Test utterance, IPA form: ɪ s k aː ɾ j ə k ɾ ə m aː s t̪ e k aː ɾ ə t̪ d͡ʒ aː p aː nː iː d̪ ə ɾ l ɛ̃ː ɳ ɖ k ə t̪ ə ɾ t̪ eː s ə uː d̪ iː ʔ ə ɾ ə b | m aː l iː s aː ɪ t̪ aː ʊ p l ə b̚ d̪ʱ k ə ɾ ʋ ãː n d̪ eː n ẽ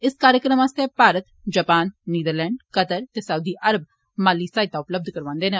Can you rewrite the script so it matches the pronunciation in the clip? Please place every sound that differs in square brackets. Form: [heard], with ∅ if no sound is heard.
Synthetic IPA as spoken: ɪ s k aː ɾ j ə k ɾ ə m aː s t̪ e [p] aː ɾ ə t̪ d͡ʒ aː p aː nː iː d̪ ə ɾ l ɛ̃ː ɳ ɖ k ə t̪ ə ɾ t̪ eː s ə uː d̪ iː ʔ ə ɾ ə b | m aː l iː s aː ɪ t̪ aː ʊ p l ə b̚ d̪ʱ k ə ɾ ʋ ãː n d̪ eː n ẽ